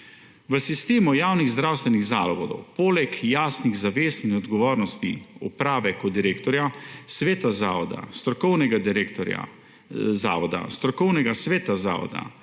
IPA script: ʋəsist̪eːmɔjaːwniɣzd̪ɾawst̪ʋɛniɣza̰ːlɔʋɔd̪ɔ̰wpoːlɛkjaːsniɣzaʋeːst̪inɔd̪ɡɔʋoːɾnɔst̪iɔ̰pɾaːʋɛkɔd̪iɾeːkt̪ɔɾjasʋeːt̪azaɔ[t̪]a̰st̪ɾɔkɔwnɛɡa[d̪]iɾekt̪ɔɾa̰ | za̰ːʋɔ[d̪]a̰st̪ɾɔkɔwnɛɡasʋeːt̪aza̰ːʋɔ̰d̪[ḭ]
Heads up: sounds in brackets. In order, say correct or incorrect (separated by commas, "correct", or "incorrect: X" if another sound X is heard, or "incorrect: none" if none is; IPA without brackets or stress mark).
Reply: incorrect: d̪, correct, correct, incorrect: a̰